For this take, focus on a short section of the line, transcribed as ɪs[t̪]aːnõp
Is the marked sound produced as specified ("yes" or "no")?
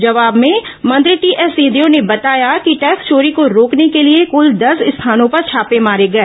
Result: no